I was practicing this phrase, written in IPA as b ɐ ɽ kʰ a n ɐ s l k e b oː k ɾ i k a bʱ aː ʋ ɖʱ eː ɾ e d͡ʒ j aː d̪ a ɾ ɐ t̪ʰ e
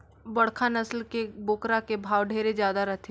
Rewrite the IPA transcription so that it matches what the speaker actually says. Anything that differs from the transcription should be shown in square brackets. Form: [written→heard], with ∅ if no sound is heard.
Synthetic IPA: b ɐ ɽ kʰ a n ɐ s l k e b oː k ɾ [i→a] k [a→e] bʱ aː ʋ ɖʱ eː ɾ e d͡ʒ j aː d̪ a ɾ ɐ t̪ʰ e

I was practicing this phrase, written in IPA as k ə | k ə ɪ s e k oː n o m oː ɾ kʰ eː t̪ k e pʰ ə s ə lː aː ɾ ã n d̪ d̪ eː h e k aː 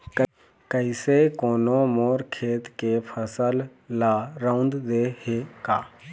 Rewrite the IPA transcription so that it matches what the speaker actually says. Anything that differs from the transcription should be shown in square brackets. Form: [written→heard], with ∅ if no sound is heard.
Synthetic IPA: k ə | k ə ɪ s e k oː n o m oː ɾ kʰ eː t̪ k e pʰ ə s ə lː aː ɾ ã n d̪ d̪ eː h e k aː

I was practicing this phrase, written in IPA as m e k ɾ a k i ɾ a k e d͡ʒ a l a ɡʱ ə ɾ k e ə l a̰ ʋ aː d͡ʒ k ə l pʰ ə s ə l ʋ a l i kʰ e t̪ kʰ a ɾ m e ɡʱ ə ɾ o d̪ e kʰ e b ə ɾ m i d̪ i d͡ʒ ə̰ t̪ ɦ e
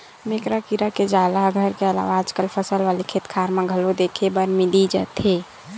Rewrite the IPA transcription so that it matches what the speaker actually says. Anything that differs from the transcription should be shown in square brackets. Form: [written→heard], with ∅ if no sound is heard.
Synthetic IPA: m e k ɾ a k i ɾ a k e d͡ʒ a l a ɡʱ ə ɾ k e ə l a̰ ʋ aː d͡ʒ k ə l pʰ ə s ə l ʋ a l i kʰ e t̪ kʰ a ɾ m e ɡʱ ə [ɾ→l] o d̪ e kʰ e b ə ɾ m i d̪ i d͡ʒ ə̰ t̪ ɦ e

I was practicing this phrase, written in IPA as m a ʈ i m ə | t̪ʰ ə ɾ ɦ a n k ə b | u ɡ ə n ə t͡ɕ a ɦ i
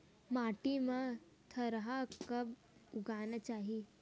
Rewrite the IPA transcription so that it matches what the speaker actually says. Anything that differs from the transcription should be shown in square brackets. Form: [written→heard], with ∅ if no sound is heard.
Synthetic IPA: m a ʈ i m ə | t̪ʰ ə ɾ ɦ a [n→∅] k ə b | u ɡ [ə→a] n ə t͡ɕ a ɦ i

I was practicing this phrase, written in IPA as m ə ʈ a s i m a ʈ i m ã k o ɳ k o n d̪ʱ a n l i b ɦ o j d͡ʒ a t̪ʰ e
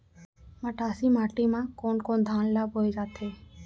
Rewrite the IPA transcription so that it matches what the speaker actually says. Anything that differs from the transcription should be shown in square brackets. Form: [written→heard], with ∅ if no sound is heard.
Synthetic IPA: m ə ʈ a s i m a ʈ i m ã k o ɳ k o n d̪ʱ a n l [i→a] b ɦ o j d͡ʒ a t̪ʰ e

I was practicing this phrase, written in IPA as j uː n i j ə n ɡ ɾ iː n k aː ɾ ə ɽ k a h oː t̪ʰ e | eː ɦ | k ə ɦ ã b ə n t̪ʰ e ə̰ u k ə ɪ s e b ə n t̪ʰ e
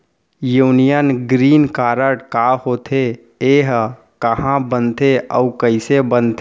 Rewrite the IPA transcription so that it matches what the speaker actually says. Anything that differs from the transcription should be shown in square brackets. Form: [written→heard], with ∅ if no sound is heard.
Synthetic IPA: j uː n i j ə n ɡ ɾ iː n k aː ɾ ə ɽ k a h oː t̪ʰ e | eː ɦ | k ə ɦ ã b ə n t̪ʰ e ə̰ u k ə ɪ s e b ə n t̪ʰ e

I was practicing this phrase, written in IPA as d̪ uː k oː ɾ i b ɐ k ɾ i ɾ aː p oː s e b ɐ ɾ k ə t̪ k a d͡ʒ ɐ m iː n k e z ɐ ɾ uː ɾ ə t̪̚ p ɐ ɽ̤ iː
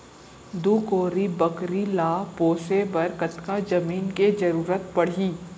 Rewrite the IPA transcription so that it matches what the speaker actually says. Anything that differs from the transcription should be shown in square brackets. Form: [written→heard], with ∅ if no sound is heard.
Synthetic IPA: d̪ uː k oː ɾ i b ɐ k ɾ i [ɾ→l] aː p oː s e b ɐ ɾ k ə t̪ k a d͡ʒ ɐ m iː n k e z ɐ ɾ uː ɾ ə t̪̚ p ɐ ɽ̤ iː

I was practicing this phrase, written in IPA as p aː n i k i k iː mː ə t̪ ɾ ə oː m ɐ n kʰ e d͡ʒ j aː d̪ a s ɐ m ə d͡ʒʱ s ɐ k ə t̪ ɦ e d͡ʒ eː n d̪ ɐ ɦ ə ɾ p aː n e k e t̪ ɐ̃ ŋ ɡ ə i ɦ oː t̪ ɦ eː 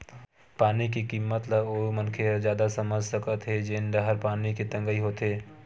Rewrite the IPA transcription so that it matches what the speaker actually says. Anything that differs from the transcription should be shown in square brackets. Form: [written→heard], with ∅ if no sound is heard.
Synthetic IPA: p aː n i k i k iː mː ə t̪ [ɾ→l] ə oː m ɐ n kʰ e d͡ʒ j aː d̪ a s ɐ m ə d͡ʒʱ s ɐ k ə t̪ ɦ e d͡ʒ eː n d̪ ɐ ɦ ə ɾ p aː n [e→i] k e t̪ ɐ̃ ŋ ɡ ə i ɦ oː t̪ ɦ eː

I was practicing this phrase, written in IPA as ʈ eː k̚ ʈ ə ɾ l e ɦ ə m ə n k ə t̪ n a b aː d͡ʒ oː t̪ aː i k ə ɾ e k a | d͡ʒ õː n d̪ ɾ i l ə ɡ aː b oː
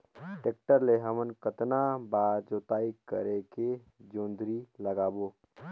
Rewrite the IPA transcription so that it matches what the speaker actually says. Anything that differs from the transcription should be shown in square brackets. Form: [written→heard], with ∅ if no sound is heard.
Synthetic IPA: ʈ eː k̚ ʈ ə ɾ l e ɦ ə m ə n k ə t̪ n a b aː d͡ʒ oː t̪ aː i k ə ɾ e k [a→e] | d͡ʒ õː n d̪ ɾ i l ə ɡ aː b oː

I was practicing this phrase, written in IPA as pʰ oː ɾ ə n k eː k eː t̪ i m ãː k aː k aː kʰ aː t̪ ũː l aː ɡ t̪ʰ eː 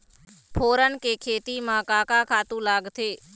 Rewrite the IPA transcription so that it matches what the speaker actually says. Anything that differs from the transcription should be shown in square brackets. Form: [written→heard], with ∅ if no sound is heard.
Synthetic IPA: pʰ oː ɾ ə n k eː [k→kʰ] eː t̪ i m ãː k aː k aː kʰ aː t̪ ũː l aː ɡ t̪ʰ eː

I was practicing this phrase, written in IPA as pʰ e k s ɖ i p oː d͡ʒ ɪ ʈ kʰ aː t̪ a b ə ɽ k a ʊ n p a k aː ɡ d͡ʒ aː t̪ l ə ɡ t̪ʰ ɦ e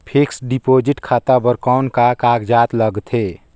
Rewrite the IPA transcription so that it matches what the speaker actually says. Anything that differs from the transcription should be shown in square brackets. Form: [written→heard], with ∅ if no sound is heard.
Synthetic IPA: pʰ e k s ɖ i p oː d͡ʒ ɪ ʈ kʰ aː t̪ a b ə [ɽ→ɾ] k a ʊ n [p→k] a k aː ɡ d͡ʒ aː t̪ l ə ɡ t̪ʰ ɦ e

